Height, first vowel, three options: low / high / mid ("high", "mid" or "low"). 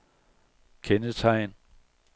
mid